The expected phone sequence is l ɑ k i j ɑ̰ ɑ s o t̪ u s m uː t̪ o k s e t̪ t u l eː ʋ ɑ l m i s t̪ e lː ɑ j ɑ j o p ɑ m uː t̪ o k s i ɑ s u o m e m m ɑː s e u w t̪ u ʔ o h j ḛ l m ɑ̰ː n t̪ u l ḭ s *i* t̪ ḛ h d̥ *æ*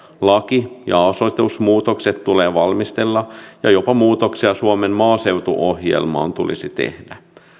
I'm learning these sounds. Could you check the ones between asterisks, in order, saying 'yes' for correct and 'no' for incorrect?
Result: yes, yes

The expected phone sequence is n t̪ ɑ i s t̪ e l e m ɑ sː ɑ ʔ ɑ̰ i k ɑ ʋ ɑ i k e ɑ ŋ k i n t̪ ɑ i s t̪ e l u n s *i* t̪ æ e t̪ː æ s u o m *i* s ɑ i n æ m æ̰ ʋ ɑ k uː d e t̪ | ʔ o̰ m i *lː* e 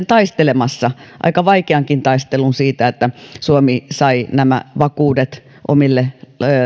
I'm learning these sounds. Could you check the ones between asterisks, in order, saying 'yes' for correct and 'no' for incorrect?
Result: no, yes, yes

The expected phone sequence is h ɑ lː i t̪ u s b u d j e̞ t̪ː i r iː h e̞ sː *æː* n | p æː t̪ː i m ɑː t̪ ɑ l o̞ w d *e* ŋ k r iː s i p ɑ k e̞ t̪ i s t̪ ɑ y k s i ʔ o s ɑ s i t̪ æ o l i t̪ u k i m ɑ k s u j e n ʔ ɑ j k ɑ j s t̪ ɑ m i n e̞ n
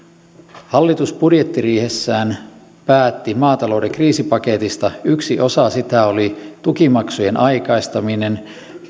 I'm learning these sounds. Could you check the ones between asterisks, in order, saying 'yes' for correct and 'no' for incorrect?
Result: yes, yes

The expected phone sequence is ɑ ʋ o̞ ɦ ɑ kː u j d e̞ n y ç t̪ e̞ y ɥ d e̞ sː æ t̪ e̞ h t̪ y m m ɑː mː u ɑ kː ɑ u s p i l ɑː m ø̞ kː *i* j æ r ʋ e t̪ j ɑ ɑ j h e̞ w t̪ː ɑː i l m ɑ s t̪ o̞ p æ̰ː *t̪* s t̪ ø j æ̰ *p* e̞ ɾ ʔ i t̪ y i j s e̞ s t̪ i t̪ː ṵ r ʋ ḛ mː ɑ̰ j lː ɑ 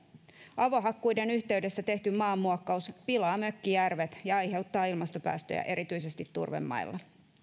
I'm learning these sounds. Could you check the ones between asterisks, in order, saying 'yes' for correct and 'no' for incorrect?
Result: yes, no, no

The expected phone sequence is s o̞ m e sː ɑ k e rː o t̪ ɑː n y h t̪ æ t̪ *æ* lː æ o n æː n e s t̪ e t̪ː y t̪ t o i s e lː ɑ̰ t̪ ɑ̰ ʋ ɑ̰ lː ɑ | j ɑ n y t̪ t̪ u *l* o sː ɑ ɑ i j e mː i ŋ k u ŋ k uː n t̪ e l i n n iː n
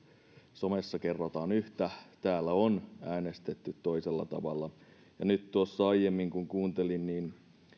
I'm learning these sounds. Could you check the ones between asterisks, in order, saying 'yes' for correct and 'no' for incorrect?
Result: no, no

